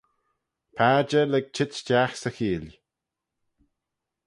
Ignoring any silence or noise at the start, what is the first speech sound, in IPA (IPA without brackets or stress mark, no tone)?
pʰ